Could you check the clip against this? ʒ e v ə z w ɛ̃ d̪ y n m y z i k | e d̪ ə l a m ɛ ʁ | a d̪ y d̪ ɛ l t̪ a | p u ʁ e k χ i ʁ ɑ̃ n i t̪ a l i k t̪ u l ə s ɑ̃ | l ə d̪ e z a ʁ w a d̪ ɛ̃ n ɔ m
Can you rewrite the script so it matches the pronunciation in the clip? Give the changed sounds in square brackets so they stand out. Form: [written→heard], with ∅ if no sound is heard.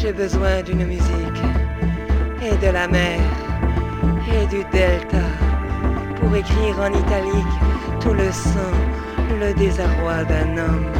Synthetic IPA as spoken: ʒ e [v→b] ə z w ɛ̃ d̪ y n m y z i k | e d̪ ə l a m ɛ ʁ | [a→e] d̪ y d̪ ɛ l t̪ a | p u ʁ e k χ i ʁ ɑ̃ n i t̪ a l i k t̪ u l ə s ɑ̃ | l ə d̪ e z a ʁ w a d̪ ɛ̃ n ɔ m